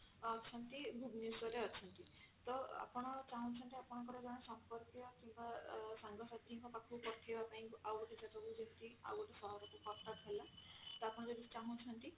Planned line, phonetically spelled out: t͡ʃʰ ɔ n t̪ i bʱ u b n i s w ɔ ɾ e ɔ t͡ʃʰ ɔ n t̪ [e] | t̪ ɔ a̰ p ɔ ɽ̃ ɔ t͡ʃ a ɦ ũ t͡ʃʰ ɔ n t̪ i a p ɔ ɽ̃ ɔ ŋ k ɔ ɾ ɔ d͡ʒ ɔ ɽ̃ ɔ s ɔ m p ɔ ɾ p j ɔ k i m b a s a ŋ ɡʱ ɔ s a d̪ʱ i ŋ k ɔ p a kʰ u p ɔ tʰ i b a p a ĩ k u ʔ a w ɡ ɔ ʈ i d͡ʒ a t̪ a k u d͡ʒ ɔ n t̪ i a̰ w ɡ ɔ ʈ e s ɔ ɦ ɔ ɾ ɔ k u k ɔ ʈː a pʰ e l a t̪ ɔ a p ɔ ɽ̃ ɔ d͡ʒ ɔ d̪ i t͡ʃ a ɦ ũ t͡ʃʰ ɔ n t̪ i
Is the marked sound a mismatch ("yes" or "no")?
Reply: yes